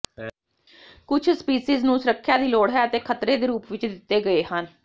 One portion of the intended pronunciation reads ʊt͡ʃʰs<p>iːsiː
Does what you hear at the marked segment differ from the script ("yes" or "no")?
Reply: no